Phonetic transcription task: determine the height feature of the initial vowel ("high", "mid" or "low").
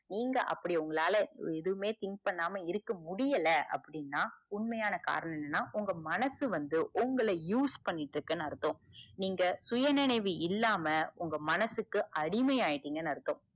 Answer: high